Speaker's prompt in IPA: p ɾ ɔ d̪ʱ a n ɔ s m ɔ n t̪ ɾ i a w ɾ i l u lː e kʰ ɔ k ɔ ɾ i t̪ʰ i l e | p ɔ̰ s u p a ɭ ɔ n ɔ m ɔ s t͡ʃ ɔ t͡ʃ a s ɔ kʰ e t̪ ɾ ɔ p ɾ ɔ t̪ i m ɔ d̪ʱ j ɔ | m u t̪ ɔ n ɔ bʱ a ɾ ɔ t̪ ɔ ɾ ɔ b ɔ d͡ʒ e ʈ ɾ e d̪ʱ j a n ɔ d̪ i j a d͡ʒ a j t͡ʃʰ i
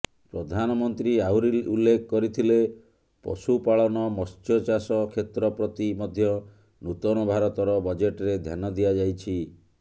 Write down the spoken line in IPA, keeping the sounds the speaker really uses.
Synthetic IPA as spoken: p ɾ ɔ d̪ʱ a n ɔ m ɔ n t̪ ɾ i a w ɾ i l u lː e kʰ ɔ k ɔ ɾ i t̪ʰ i l e | p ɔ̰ s u p a ɭ ɔ n ɔ m ɔ s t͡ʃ ɔ t͡ʃ a s ɔ kʰ e t̪ ɾ ɔ p ɾ ɔ t̪ i m ɔ d̪ʱ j ɔ | n u t̪ ɔ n ɔ bʱ a ɾ ɔ t̪ ɔ ɾ ɔ b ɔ d͡ʒ e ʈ ɾ e d̪ʱ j a n ɔ d̪ i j a d͡ʒ a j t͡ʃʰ i